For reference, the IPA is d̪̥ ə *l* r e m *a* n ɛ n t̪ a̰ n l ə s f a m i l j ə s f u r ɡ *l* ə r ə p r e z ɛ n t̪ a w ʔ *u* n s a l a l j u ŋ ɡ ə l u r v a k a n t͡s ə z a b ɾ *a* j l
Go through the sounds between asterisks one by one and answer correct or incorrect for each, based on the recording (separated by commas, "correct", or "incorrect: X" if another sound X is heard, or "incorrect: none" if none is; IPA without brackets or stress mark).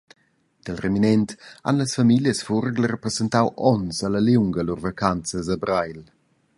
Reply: correct, incorrect: i, correct, incorrect: ɔ, correct